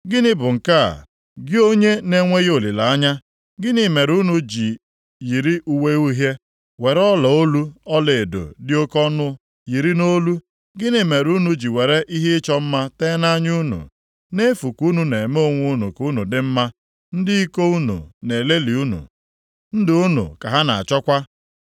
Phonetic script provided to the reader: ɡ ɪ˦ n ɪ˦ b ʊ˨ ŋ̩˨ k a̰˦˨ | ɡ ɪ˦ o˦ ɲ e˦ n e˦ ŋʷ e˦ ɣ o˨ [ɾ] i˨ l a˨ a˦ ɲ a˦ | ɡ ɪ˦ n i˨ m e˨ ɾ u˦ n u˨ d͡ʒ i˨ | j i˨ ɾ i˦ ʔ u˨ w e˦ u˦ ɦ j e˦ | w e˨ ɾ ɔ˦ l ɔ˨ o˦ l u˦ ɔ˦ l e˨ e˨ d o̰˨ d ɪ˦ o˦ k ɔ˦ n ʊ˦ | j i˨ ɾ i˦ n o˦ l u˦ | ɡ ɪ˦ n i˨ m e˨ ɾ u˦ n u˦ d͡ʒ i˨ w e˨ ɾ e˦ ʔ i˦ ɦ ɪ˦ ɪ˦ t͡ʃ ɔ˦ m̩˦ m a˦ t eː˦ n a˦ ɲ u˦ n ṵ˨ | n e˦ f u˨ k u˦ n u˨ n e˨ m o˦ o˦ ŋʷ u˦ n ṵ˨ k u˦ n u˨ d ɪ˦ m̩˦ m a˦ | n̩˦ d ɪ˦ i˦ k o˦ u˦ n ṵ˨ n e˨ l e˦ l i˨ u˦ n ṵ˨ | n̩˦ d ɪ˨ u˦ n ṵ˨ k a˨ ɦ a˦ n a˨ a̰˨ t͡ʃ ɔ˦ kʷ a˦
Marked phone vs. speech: incorrect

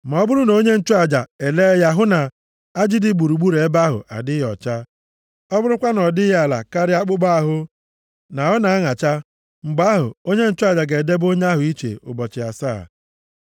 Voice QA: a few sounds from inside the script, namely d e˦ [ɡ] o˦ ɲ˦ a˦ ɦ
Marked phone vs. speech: incorrect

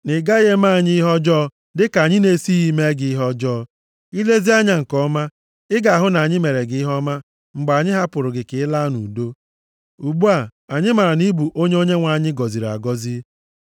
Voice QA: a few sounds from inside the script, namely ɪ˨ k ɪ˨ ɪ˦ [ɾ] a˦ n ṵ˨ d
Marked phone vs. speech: incorrect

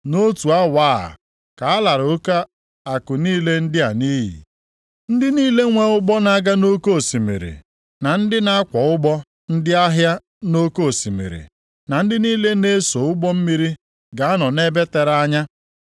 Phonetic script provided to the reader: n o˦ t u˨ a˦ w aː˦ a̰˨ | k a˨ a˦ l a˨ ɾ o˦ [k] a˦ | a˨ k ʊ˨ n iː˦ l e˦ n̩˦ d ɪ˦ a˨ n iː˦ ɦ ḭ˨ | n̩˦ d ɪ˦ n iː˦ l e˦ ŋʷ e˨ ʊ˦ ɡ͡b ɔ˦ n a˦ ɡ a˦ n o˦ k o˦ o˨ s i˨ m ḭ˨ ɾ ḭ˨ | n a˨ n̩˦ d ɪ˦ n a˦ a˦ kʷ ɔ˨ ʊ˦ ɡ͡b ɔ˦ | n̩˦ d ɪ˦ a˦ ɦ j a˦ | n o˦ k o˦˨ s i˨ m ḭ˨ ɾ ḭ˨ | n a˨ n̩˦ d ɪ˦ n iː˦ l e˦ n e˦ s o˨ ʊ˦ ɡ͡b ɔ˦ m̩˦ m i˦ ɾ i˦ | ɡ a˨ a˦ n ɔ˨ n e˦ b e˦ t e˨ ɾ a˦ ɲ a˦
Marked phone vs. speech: correct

